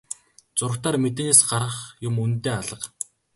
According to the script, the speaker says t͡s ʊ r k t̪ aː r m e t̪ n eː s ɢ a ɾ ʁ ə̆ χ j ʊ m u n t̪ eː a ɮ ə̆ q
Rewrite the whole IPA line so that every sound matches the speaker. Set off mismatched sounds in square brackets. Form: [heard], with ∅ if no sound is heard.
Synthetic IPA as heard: t͡s ʊ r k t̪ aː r m e t̪ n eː s ɢ a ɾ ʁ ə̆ χ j ʊ m u n t̪ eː a ɮ ə̆ q